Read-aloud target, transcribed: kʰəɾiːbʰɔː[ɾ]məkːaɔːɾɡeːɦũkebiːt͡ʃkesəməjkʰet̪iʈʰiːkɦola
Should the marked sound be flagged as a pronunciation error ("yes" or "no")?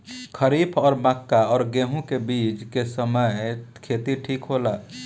no